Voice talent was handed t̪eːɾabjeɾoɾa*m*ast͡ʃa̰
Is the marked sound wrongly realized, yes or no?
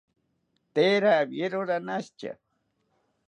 yes